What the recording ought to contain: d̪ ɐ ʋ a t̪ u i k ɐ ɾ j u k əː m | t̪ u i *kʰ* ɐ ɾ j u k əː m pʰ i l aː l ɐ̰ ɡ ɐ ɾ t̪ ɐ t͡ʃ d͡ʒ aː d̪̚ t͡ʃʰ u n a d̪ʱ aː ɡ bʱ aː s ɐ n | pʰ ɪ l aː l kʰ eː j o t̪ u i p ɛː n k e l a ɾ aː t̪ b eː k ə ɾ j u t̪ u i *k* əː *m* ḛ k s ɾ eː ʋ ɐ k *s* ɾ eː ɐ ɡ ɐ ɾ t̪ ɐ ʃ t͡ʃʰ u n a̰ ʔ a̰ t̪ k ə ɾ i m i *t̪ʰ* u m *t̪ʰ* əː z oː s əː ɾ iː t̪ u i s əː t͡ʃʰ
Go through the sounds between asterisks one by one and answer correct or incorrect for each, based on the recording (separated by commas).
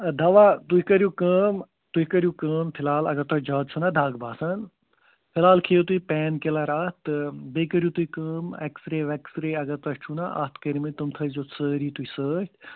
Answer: incorrect, correct, correct, correct, incorrect, correct